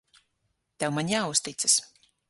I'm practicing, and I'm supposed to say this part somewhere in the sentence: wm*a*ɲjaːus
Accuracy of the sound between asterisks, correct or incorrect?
correct